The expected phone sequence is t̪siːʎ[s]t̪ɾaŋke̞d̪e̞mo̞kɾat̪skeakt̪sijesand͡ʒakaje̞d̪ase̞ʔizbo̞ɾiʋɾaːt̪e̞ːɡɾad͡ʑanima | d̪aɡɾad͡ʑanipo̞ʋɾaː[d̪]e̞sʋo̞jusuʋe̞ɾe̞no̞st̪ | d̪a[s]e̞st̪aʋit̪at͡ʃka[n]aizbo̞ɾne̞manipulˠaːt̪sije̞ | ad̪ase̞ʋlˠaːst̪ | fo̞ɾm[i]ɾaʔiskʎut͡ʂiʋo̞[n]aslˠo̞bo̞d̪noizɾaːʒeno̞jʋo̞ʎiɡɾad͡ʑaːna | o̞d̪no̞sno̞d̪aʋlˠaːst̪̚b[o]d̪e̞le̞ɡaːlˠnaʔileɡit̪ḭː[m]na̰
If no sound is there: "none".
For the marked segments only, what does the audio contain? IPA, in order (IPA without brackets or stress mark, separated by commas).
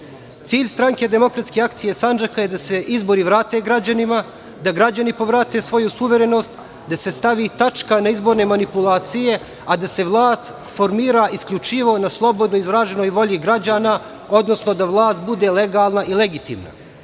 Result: s, t̪, s, n, iː, n, u, m